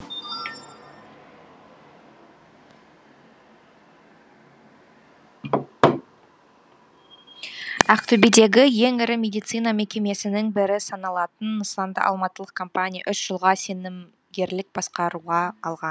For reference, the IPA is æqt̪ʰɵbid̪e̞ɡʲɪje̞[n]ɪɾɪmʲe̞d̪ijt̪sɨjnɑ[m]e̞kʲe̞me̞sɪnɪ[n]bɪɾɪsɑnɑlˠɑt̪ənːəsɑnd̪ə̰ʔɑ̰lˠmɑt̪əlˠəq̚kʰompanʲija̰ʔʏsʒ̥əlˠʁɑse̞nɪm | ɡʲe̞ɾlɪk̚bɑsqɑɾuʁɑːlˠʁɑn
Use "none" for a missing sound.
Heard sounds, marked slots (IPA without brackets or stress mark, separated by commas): ŋ, m, ŋ